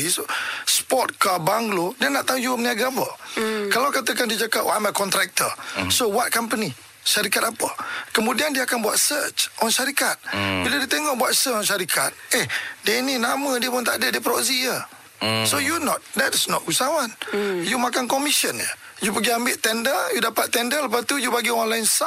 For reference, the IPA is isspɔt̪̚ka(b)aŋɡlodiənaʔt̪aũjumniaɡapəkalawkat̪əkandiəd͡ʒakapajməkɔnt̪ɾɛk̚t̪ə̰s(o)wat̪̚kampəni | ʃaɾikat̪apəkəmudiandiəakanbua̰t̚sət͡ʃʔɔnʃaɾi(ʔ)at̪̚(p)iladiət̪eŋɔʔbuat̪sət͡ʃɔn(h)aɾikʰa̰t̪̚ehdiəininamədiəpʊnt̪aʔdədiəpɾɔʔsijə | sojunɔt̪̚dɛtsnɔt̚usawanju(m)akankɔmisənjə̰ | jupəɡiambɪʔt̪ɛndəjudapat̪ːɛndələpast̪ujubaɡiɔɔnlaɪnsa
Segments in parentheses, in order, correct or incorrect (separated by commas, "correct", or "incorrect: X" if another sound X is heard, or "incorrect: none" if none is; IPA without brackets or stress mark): correct, correct, incorrect: k, incorrect: b, incorrect: ʃ, correct